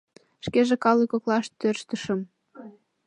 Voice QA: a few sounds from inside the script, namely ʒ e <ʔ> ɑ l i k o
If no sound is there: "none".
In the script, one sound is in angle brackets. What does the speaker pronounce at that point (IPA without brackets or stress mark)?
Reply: k